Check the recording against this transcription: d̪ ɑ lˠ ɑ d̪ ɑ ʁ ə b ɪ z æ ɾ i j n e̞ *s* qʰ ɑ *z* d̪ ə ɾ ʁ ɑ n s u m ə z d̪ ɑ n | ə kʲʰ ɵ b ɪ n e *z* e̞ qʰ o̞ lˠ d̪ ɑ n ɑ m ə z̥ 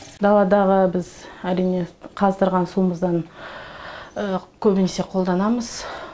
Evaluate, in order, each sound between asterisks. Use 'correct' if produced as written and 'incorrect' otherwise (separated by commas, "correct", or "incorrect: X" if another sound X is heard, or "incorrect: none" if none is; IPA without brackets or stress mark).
incorrect: none, correct, incorrect: s